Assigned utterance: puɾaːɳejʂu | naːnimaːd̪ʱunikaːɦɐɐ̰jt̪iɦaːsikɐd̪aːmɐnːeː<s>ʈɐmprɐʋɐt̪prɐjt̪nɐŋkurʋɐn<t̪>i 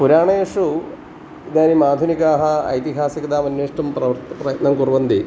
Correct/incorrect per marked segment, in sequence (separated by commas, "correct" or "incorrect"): incorrect, incorrect